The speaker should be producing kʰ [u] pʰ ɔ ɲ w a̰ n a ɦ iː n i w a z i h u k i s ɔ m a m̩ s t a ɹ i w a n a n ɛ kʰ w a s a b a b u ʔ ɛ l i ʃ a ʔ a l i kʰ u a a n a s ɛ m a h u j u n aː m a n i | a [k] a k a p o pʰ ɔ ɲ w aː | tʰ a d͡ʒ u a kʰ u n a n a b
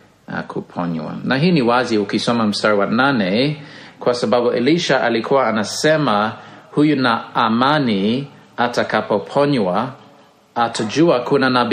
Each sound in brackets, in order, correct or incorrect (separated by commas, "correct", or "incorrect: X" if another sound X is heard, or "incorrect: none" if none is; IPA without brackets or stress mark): correct, incorrect: t